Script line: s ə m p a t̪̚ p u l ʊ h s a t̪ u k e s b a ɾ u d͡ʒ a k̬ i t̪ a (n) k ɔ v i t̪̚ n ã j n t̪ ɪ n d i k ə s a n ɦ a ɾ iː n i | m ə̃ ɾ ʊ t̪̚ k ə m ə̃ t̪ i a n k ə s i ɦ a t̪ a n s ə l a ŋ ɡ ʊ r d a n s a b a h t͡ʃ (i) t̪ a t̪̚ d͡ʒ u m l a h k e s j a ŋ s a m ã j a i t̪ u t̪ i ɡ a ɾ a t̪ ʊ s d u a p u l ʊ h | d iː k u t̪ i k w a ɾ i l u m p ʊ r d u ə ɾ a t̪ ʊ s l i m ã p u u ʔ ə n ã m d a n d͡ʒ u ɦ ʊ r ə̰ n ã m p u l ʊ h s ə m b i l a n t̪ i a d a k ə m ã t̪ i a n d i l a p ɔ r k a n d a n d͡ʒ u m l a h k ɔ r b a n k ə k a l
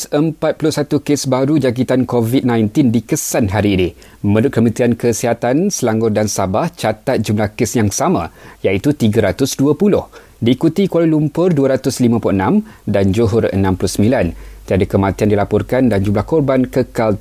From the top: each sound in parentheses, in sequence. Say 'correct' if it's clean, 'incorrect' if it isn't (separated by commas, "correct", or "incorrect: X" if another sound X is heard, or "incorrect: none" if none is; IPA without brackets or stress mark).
correct, incorrect: a